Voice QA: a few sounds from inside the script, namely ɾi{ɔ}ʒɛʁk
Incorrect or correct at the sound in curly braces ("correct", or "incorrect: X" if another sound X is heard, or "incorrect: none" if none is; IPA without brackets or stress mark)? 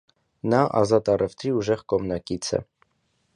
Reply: incorrect: u